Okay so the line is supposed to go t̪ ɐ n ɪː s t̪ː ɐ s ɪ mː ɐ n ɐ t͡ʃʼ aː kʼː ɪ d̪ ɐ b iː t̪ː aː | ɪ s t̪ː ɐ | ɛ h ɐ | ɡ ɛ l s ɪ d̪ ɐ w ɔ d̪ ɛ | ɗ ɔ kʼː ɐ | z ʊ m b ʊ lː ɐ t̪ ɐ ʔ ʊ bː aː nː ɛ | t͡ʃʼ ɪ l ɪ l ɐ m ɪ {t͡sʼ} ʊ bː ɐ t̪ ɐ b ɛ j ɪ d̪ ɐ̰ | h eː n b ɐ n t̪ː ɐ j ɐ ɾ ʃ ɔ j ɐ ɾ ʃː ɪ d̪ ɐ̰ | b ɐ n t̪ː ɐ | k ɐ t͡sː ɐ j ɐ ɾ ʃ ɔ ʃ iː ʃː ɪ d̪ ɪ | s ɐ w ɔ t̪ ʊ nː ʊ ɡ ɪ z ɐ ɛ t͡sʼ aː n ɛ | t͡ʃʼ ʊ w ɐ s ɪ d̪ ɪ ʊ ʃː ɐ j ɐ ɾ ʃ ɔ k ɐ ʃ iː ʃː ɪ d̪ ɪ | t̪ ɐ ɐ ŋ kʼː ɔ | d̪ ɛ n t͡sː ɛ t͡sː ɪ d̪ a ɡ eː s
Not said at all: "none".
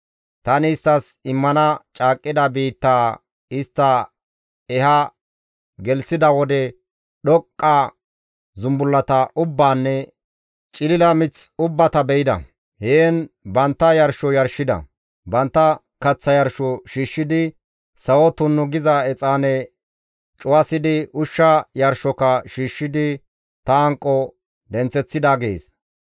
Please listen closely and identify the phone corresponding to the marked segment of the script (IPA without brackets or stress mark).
t͡s